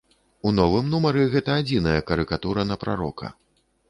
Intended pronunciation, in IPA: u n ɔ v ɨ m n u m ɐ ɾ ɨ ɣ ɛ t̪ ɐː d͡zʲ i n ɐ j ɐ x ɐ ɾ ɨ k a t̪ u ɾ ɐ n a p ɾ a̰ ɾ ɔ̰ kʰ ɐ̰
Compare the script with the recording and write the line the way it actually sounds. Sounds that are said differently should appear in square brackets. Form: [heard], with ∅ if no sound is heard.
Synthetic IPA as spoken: u n ɔ v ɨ m n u m ɐ ɾ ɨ ɣ ɛ t̪ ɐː d͡zʲ i n ɐ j ɐ [k] ɐ ɾ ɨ k a t̪ u ɾ ɐ n [ɐ] p ɾ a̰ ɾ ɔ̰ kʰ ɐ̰